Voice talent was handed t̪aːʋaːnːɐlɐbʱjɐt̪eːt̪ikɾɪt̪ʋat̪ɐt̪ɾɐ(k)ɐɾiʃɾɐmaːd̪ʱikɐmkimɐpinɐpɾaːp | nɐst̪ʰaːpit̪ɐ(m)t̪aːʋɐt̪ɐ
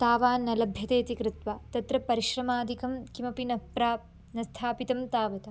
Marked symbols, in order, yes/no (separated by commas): no, yes